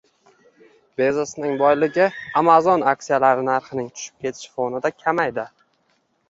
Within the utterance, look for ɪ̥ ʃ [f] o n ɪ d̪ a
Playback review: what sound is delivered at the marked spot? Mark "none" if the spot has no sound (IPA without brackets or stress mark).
f